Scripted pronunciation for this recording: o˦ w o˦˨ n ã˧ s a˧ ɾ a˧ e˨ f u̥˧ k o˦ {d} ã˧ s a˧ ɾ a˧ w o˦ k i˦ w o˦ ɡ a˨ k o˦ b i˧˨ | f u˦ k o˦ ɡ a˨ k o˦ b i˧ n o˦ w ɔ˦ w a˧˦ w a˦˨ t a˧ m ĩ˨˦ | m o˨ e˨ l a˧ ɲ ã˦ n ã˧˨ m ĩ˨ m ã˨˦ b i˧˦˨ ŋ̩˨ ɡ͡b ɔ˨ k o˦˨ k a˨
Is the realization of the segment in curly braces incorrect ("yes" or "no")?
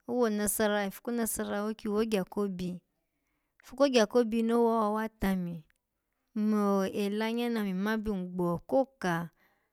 yes